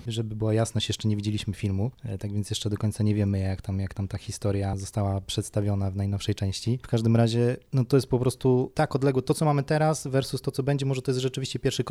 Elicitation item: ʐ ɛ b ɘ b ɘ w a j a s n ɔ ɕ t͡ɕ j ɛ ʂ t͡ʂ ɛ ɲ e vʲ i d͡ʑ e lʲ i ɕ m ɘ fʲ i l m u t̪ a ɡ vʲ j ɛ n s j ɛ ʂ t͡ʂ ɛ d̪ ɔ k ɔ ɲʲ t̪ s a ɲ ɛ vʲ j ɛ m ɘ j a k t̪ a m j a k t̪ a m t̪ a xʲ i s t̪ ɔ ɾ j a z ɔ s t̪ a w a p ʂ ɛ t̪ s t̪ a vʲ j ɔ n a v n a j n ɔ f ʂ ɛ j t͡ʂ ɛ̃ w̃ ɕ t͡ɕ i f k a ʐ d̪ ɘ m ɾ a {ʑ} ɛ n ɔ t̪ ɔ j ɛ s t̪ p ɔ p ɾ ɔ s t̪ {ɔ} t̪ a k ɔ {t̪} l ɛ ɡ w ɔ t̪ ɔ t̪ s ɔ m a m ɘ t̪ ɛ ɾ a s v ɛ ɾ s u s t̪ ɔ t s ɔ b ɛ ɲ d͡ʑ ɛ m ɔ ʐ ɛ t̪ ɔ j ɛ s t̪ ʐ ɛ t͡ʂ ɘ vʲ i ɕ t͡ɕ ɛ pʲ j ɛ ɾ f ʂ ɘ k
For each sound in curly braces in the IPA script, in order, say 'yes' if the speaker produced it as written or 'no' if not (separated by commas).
yes, no, no